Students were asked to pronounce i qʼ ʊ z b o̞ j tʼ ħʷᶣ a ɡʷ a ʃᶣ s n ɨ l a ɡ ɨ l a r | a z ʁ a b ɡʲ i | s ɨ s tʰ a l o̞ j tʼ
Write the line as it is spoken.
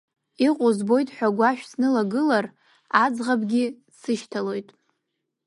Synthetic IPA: i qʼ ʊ z b o̞ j tʼ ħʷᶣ a ɡʷ a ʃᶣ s n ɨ l a ɡ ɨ l a r | a d͡z ʁ a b ɡʲ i | s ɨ ʃ tʰ a l o̞ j tʼ